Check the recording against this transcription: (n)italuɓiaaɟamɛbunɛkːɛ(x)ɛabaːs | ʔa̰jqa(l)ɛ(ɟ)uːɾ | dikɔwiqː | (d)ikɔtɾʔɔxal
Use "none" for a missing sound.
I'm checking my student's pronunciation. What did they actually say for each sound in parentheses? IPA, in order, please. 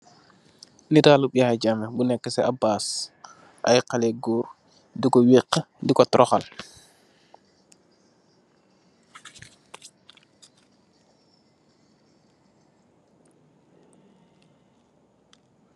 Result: n, s, l, ɡ, d

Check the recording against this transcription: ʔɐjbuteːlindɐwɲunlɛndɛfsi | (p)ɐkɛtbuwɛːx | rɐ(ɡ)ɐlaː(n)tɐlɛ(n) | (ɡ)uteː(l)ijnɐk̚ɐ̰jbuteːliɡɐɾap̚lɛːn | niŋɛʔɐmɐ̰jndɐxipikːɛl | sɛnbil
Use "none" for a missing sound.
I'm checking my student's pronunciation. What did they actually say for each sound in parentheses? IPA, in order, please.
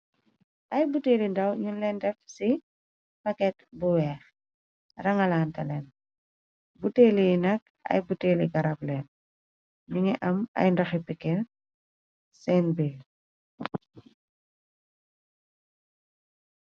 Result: p, ŋ, n, n, b, l

